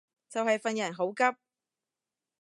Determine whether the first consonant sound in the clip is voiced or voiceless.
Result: voiceless